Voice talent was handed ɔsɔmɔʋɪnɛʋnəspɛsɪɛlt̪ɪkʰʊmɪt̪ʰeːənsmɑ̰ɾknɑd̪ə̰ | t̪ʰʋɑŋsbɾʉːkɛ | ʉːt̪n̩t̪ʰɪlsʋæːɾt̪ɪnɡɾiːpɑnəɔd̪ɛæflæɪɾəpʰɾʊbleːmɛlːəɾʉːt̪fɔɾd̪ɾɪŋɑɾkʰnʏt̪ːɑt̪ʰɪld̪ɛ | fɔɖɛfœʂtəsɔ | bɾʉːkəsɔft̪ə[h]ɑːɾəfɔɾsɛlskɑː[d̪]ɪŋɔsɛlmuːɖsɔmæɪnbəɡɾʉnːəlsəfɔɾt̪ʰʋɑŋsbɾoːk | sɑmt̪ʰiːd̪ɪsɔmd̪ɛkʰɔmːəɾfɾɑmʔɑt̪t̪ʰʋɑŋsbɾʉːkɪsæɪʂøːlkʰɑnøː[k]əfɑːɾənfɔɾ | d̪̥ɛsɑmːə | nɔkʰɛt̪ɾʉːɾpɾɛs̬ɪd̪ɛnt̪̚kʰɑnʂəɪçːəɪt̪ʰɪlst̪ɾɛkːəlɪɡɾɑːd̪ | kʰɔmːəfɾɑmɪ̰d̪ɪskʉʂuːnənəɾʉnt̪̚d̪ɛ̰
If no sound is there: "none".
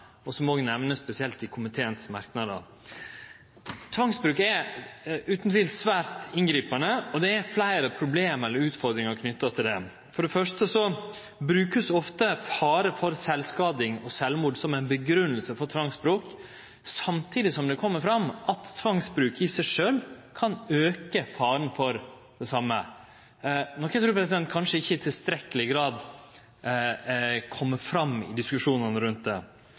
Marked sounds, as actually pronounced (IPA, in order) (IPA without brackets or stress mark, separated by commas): f, d̪, k